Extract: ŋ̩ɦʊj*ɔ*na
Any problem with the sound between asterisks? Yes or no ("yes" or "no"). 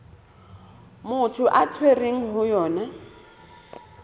yes